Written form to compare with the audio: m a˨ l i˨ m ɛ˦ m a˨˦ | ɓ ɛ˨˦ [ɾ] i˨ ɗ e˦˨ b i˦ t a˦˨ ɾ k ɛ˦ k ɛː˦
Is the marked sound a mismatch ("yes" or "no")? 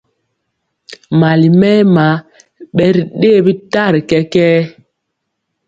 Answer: no